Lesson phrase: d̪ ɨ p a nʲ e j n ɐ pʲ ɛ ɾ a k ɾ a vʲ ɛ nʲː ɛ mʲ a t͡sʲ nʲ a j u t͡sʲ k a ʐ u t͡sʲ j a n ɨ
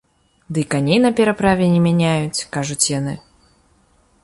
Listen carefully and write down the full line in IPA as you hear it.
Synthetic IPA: d̪ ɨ k a nʲ e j n ɐ pʲ ɛ ɾ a p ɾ a vʲ ɛ nʲ ɛ mʲ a nʲ a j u t͡sʲ k a ʐ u t͡sʲ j a n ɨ